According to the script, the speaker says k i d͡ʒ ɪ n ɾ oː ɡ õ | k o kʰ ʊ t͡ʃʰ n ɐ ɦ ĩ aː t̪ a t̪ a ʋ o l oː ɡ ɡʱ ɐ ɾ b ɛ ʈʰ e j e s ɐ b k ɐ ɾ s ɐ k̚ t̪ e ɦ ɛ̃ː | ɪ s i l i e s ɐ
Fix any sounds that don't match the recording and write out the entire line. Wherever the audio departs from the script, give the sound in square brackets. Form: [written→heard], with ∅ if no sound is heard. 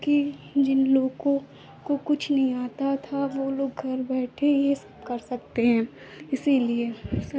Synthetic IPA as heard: k i d͡ʒ ɪ n [ɾ→l] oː ɡ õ | k o [kʰ→k] ʊ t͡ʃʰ n ɐ ɦ ĩ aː t̪ a [t̪→t̪ʰ] a ʋ o l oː ɡ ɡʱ ɐ ɾ b [ɛ→ɛː] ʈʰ e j e s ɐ b k ɐ ɾ s ɐ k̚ t̪ e ɦ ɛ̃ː | ɪ s i l i e s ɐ